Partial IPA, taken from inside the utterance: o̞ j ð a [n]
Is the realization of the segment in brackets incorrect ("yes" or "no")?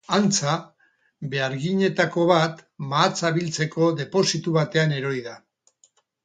yes